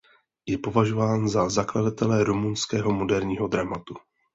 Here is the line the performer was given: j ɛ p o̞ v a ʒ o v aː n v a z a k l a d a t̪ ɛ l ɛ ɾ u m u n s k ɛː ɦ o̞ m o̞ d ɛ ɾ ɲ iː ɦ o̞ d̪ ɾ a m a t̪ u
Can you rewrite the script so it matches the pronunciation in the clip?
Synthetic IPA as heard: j ɛ p o̞ v a ʒ o v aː n z a z a k l a d a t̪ ɛ l ɛ ɾ u m u n s k ɛː ɦ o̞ m o̞ d ɛ ɾ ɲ iː ɦ o̞ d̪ ɾ a m a t̪ u